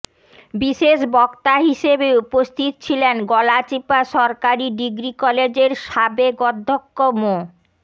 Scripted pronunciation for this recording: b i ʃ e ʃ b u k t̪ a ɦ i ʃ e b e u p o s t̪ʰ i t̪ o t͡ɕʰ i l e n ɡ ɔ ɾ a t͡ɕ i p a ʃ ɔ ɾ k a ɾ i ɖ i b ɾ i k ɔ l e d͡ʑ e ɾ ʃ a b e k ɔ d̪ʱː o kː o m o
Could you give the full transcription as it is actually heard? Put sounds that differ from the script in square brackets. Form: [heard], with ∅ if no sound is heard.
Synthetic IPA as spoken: b i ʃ e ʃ b [ɔ] k t̪ a ɦ i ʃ e b e u p o s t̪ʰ i t̪ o t͡ɕʰ i l e n ɡ ɔ [l] a t͡ɕ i p a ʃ ɔ ɾ k a ɾ i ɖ i [ɡ] ɾ i k ɔ l e d͡ʑ e ɾ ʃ a b e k ɔ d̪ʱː o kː o m o